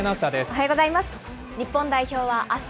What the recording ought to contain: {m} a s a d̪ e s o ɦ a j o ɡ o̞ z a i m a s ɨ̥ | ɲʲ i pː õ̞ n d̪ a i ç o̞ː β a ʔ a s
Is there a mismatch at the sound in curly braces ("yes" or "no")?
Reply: yes